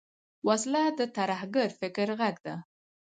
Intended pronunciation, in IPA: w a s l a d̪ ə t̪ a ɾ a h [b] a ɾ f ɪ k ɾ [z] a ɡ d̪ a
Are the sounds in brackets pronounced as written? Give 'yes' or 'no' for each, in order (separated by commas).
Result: no, no